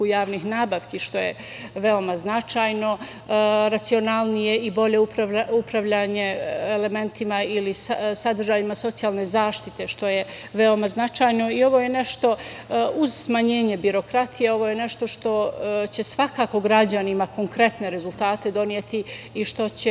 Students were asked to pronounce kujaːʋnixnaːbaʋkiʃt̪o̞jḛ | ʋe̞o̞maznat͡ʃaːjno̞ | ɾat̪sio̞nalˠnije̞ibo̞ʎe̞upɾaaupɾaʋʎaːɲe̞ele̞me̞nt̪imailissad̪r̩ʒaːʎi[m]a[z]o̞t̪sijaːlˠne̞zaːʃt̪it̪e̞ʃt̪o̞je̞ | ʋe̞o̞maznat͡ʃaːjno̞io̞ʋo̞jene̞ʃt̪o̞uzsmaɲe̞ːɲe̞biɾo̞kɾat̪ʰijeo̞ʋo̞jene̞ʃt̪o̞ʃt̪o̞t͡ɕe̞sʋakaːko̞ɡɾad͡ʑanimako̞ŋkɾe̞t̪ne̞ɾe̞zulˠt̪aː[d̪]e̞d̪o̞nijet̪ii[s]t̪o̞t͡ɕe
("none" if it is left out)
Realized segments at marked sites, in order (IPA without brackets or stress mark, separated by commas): m, s, t̪, ʃ